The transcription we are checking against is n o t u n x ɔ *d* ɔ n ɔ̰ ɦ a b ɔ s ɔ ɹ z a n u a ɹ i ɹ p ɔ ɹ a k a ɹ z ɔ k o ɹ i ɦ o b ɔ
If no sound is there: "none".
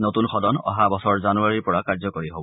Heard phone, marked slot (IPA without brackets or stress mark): d